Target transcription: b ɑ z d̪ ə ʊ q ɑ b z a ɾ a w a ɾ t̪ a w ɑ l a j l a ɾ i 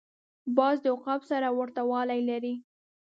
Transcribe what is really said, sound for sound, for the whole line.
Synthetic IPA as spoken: b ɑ z d̪ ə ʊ q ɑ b s a ɾ a w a ɾ t̪ a w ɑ l a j l a ɾ i